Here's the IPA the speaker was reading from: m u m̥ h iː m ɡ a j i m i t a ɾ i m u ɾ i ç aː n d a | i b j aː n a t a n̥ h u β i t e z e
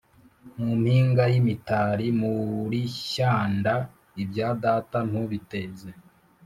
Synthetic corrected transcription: m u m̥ h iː ŋ ɡ a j i m i t a ɾ i m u ɾ i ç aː n d a | i b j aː d a t a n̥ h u β i t e z e